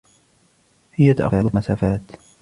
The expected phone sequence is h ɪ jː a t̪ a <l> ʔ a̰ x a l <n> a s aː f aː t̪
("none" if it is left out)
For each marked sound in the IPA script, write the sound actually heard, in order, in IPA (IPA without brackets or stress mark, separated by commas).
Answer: none, m